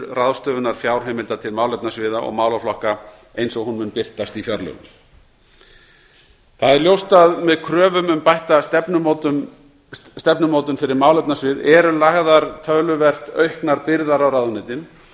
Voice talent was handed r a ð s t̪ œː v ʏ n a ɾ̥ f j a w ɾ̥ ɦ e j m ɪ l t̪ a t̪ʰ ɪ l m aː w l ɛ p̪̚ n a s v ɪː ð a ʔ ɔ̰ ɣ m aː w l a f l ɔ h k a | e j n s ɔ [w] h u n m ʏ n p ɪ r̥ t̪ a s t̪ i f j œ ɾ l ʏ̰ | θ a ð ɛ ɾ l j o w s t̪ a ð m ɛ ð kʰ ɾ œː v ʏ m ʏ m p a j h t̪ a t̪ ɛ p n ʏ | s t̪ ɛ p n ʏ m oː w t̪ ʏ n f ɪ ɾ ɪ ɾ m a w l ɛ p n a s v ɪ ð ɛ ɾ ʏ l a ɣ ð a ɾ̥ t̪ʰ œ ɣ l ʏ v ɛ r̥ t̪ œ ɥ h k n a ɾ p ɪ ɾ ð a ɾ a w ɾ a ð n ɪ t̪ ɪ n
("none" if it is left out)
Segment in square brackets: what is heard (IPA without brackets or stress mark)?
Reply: ɣ